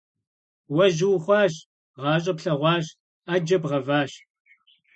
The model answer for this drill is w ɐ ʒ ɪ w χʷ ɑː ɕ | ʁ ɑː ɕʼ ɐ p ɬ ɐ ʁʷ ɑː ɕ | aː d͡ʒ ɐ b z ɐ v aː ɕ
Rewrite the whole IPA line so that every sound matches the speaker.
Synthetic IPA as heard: w ɐ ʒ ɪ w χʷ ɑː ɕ | ʁ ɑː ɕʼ ɐ p ɬ ɐ ʁʷ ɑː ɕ | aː d͡ʒ ɐ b ʁ ɐ v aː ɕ